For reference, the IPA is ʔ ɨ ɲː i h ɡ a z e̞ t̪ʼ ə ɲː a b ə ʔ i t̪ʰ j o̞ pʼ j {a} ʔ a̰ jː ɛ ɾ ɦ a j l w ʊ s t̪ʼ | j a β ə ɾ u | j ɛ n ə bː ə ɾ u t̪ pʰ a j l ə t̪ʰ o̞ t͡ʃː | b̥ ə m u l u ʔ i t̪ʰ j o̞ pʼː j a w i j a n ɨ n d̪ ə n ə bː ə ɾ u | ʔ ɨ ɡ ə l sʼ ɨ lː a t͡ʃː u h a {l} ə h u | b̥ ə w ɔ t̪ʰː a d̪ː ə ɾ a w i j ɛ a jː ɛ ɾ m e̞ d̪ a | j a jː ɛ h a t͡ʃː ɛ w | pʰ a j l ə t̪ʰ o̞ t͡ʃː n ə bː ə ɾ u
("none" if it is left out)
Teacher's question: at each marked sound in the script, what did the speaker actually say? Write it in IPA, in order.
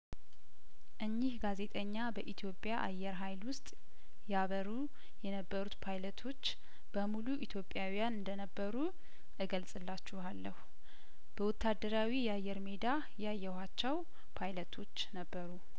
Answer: a, lː

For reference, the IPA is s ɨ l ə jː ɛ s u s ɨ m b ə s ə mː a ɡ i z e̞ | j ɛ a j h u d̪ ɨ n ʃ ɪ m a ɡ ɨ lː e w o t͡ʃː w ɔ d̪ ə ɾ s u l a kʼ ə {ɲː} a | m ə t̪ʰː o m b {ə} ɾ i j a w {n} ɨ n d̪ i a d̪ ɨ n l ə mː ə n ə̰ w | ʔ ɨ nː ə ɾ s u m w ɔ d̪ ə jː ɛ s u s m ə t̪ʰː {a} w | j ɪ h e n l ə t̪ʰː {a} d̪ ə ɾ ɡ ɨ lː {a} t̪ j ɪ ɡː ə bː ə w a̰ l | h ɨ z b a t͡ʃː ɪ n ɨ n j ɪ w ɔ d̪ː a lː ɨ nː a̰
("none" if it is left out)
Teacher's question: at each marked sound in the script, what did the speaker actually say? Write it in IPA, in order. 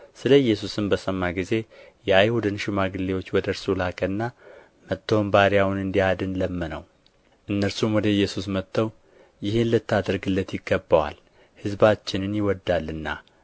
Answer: nː, a, n, ə, a, ə

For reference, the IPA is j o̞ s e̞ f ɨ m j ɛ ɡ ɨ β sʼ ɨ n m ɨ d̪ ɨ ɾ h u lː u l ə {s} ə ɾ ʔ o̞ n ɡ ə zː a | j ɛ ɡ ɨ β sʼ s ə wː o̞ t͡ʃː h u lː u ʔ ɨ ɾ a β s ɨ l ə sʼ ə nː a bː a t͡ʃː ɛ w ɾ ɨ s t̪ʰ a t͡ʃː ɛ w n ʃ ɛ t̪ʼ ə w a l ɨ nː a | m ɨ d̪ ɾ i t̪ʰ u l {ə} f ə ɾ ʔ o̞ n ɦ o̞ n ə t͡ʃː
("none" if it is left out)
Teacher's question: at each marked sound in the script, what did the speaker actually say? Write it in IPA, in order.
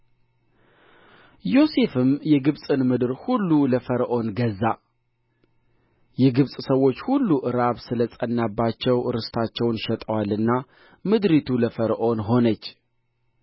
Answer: f, ə

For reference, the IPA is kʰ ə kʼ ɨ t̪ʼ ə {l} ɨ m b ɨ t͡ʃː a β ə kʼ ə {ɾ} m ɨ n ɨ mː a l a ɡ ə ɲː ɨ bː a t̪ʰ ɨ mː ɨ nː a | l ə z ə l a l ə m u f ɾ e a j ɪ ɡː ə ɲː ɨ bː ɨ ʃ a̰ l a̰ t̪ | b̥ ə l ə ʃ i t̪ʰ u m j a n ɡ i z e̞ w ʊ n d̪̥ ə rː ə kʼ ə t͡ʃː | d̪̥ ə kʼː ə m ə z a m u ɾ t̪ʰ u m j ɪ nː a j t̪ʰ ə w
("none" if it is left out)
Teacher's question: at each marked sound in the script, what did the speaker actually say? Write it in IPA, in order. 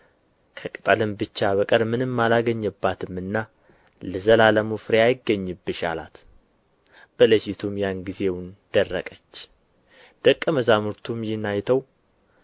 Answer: l, ɾ

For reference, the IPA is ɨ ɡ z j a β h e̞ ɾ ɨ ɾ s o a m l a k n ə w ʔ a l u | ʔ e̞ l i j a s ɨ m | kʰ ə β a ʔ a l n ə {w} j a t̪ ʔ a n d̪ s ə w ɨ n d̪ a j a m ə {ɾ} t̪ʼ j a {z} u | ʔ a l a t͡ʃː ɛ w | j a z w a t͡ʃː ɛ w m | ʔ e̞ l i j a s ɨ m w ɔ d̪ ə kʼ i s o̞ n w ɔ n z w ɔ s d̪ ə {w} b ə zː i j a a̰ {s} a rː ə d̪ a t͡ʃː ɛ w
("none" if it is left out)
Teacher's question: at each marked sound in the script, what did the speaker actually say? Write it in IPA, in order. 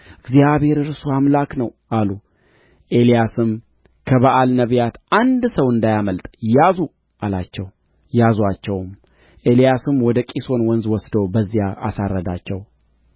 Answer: β, l, z, w, s

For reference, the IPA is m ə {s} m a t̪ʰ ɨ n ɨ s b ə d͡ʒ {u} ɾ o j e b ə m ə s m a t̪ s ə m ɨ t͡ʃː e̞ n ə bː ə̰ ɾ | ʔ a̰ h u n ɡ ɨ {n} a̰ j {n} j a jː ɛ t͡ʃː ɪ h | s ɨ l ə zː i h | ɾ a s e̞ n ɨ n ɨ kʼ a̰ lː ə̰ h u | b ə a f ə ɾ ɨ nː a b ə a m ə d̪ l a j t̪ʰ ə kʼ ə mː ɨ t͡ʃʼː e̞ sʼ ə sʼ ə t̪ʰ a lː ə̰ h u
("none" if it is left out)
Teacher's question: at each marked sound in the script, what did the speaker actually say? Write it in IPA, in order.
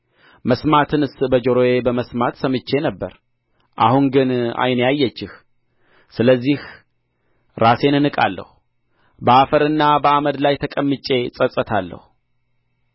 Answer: s, o, n, n

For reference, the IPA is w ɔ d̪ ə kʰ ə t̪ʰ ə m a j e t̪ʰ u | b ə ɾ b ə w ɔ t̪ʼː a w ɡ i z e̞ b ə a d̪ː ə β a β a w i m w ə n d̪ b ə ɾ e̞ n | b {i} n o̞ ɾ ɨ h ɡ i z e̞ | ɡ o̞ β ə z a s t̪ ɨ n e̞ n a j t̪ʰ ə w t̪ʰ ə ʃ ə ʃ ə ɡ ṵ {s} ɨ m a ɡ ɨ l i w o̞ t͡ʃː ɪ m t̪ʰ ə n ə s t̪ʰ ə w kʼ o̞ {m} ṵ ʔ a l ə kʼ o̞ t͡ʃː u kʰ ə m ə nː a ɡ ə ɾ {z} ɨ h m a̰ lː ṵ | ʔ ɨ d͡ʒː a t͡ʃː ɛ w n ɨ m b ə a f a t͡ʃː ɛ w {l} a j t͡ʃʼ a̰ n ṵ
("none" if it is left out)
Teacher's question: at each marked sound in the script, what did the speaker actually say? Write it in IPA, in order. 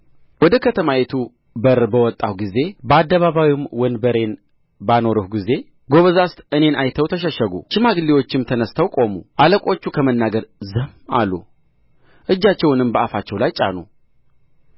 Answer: a, ʃ, m, z, l

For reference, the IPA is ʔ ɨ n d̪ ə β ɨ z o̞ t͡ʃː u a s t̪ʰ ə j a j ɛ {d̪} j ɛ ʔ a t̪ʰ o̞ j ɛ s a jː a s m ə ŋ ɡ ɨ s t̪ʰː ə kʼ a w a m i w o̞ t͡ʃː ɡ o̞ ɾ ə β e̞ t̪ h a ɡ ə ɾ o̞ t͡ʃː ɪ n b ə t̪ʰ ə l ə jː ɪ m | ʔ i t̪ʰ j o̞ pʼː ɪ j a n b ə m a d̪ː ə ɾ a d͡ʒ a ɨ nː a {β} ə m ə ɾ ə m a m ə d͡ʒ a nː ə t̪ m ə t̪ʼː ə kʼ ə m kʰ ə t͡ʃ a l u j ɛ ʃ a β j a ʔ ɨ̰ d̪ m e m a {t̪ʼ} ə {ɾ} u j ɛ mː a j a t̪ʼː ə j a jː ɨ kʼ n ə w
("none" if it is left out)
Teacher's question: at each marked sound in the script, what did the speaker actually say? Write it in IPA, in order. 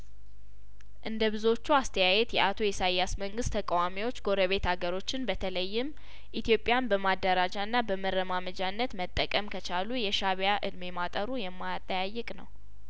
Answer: t̪, b, t̪ʼ, ɾ

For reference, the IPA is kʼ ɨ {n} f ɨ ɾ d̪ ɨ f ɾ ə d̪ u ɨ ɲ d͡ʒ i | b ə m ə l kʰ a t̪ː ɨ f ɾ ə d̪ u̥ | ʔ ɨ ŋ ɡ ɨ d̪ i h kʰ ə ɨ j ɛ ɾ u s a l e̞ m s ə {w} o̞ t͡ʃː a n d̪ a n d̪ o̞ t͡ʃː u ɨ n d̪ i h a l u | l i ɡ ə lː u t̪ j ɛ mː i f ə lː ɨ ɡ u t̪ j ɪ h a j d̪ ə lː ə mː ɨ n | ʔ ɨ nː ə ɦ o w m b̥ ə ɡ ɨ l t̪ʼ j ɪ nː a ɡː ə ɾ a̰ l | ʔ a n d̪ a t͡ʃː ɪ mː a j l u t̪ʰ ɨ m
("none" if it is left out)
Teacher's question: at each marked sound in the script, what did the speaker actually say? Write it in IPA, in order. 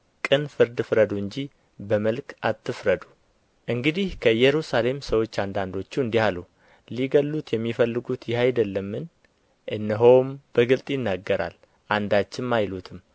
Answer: n, w

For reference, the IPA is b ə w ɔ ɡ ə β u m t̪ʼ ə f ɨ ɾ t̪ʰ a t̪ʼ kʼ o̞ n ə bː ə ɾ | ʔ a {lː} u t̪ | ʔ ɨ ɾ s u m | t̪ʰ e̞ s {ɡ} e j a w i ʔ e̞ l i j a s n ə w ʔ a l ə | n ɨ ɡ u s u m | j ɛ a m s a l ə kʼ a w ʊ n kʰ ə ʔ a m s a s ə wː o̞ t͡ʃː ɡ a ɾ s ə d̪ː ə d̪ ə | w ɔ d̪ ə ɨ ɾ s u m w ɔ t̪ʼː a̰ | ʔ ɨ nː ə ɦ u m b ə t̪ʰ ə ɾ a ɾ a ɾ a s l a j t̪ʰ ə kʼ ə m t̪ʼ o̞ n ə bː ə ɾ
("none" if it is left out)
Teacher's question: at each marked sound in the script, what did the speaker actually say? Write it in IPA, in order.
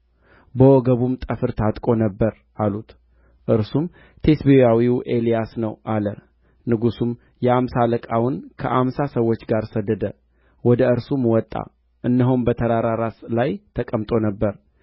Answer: l, b

